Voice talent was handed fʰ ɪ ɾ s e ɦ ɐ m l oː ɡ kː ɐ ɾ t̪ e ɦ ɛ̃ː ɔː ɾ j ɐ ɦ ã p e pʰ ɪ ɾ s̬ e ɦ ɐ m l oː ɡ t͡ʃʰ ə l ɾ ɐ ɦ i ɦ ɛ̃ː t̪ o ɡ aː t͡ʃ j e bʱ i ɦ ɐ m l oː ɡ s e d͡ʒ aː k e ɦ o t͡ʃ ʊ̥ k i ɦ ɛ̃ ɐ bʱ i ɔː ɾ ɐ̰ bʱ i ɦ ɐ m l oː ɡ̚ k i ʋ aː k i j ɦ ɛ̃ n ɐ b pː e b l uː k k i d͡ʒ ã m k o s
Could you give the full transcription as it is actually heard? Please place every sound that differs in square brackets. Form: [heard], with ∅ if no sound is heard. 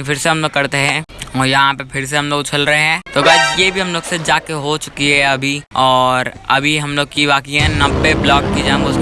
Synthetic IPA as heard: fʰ ɪ ɾ s e ɦ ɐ m l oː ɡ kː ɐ ɾ t̪ e ɦ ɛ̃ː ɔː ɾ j ɐ ɦ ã p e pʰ ɪ ɾ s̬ e ɦ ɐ m l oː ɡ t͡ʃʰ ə l ɾ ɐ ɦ [e] ɦ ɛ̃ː t̪ o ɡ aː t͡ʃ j e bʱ i ɦ ɐ m l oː ɡ s e d͡ʒ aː k e ɦ o t͡ʃ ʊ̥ k i ɦ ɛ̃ ɐ bʱ i ɔː ɾ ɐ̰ bʱ i ɦ ɐ m l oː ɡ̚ k i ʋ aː k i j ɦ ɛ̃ n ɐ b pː e b l [ɔː] k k i d͡ʒ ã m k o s